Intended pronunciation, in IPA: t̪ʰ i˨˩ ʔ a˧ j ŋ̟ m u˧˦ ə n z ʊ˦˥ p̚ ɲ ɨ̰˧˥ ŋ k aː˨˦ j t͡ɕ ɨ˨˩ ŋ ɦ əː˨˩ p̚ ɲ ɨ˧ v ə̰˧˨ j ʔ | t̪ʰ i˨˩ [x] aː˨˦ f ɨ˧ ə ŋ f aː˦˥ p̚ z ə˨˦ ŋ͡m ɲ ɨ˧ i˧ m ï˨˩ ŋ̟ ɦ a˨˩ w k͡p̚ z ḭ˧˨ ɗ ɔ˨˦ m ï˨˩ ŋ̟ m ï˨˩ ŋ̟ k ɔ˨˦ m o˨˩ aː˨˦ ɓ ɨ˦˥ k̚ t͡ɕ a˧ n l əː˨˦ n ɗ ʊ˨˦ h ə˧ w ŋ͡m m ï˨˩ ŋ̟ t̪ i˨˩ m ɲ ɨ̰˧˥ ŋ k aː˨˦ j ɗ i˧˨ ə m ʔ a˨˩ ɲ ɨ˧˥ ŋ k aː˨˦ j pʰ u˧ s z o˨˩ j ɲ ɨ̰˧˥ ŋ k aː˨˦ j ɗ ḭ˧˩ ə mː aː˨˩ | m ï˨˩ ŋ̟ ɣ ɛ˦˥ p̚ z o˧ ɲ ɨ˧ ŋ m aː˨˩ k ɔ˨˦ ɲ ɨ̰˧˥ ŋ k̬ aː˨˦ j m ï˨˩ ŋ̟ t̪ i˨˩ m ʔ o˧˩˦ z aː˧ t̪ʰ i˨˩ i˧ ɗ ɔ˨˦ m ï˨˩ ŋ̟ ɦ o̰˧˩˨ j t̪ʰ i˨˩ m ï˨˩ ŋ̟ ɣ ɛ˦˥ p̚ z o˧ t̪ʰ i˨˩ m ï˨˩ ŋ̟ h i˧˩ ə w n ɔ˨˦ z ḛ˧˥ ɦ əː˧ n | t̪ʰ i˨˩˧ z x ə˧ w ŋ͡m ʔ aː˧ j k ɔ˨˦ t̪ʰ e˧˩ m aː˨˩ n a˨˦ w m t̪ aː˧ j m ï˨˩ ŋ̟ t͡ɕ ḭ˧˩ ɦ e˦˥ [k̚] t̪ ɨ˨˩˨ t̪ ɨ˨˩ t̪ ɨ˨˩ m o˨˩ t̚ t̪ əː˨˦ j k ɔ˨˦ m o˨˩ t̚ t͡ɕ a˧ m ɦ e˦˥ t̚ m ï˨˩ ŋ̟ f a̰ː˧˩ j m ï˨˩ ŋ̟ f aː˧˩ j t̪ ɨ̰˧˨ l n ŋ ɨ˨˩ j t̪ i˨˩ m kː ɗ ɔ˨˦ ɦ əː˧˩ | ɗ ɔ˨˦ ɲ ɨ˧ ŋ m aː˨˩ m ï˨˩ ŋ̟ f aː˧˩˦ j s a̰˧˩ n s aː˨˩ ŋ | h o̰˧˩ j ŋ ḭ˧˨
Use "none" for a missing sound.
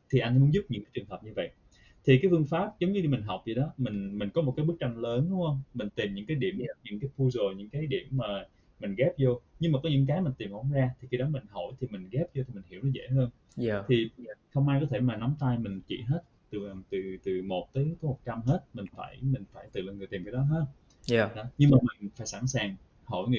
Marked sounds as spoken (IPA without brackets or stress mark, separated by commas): k, t̚